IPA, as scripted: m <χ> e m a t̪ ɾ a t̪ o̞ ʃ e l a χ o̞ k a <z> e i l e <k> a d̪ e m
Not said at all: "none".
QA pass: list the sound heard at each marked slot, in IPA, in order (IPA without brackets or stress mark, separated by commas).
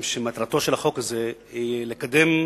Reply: ʃ, z, k